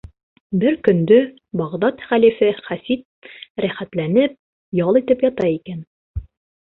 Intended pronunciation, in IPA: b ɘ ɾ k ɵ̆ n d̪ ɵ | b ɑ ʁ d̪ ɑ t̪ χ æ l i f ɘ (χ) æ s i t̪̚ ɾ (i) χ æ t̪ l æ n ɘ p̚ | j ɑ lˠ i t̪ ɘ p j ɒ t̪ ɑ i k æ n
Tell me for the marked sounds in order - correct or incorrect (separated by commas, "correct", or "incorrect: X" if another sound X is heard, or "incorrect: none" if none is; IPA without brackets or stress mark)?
correct, incorrect: æ